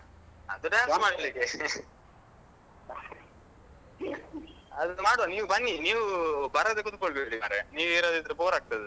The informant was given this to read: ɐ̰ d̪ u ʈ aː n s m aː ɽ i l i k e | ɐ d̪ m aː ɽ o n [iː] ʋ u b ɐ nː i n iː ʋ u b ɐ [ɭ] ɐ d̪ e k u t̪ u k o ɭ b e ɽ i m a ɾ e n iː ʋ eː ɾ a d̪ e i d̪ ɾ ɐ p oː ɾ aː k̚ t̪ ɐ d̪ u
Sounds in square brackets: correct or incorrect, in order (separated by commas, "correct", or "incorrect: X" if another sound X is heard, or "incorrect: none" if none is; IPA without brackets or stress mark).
correct, incorrect: ɾ